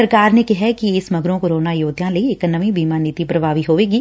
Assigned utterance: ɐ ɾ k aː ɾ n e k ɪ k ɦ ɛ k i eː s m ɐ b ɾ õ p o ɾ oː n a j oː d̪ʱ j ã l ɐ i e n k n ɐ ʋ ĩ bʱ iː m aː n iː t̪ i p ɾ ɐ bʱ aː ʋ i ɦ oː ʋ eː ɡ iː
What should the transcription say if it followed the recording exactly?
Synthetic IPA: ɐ ɾ k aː ɾ n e k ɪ ɦ ɛ k i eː s m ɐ ɡ ɾ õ k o ɾ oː n a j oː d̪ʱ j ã l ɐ i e k n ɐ ʋ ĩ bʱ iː m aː n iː t̪ i p ɾ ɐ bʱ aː ʋ i ɦ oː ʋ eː ɡ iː